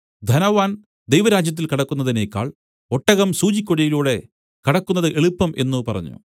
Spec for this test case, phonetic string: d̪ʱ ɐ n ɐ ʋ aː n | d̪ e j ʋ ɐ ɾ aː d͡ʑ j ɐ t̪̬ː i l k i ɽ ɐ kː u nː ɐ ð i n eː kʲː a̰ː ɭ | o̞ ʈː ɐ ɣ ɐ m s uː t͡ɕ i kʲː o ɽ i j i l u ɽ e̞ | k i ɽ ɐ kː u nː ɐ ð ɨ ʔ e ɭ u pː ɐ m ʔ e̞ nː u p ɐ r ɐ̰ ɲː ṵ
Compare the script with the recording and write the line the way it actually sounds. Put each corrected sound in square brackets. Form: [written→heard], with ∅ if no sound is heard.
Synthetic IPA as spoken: d̪ʱ ɐ n ɐ ʋ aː n | d̪ e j ʋ ɐ ɾ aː d͡ʑ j ɐ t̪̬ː i l k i ɽ ɐ kː u nː ɐ ð i n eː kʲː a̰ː ɭ | o̞ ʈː ɐ ɣ ɐ m s uː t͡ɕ i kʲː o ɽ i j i l [u→uː] ɽ e̞ | k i ɽ ɐ kː u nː ɐ ð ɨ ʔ e ɭ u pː ɐ m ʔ e̞ nː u p ɐ r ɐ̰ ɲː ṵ